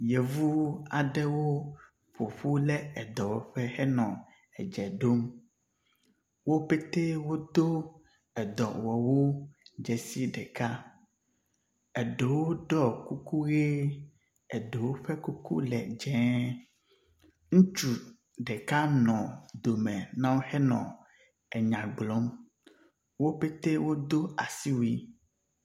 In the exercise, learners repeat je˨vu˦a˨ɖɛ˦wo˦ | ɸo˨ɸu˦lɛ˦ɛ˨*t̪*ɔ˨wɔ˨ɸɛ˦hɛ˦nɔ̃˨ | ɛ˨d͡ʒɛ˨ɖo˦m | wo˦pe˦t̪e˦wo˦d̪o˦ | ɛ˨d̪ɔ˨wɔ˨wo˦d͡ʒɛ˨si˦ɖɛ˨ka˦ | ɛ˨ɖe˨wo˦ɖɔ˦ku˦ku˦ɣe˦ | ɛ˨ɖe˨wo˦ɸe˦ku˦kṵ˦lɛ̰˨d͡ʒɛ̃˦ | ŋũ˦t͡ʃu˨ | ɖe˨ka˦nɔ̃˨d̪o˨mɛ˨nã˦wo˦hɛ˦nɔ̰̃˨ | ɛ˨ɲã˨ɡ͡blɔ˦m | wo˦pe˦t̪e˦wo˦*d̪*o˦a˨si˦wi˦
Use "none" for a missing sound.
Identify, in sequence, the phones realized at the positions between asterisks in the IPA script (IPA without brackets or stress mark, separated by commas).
d̪, d̪